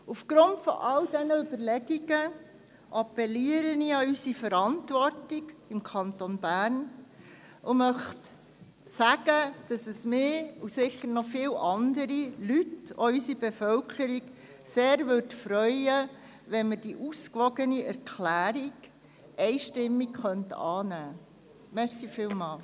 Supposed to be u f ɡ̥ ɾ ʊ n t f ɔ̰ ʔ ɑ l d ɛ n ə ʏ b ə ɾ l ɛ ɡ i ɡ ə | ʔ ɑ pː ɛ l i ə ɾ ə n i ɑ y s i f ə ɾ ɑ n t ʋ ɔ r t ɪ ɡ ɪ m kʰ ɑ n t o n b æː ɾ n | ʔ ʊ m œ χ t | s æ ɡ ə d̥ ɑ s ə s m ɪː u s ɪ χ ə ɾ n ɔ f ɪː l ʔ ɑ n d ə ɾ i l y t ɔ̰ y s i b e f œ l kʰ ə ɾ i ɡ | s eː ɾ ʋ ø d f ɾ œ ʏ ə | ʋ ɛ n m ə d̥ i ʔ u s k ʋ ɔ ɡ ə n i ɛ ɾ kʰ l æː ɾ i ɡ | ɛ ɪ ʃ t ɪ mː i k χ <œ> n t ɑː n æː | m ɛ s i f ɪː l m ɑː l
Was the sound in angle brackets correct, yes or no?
yes